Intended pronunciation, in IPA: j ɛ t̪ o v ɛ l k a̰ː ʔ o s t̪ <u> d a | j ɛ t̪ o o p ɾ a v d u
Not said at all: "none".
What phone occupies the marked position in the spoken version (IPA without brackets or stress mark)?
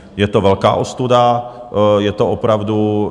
u